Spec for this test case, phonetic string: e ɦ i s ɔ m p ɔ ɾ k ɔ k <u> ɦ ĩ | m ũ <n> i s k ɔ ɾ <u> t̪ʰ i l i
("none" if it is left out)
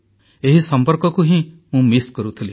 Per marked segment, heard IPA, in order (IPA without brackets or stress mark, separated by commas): u, m, u